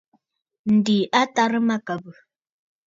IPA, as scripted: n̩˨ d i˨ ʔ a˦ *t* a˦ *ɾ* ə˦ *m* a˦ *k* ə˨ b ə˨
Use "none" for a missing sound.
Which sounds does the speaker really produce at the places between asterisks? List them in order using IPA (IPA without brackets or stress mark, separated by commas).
t, ɾ, m, k